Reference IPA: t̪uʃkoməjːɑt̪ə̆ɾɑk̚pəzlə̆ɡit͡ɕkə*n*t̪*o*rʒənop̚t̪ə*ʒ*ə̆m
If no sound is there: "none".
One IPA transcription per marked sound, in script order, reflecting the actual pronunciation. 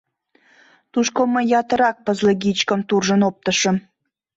m, u, ʃ

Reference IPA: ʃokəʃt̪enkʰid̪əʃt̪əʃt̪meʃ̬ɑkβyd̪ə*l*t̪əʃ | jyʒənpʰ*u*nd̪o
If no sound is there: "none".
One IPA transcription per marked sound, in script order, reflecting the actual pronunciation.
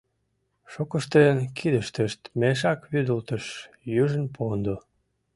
l, o

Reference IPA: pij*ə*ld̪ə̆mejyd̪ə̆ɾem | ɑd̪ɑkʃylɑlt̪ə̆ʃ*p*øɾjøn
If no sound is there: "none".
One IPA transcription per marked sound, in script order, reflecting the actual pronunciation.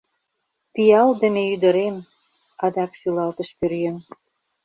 ɑ, p

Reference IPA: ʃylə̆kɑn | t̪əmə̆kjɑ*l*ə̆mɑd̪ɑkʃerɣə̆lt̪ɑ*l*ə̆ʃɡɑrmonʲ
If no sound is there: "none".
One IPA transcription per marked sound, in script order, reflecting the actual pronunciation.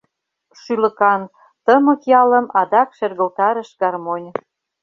l, ɾ

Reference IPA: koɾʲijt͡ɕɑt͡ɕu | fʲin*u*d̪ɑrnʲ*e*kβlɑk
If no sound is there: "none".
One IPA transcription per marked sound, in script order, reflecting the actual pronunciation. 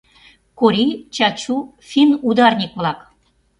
u, i

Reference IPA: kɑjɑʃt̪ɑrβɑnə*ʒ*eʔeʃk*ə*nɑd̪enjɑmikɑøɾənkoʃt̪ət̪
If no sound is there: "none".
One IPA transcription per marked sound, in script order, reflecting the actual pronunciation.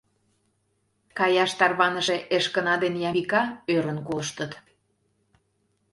ʃ, ə

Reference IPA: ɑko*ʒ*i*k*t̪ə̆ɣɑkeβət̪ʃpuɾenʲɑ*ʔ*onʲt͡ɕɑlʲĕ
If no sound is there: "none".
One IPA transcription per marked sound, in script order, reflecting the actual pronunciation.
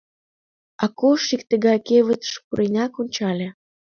ʃ, k, k

